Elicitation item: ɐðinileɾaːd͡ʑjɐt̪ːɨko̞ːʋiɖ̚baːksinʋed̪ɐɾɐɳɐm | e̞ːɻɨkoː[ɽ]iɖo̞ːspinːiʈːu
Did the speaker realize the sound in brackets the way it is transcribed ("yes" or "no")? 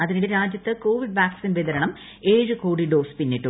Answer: yes